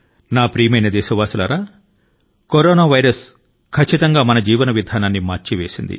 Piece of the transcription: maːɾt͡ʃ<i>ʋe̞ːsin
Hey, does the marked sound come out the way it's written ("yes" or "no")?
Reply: yes